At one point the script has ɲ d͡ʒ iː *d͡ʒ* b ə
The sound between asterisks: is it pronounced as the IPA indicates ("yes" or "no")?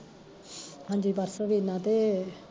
no